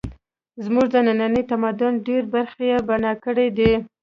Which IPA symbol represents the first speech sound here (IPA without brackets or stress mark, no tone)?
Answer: z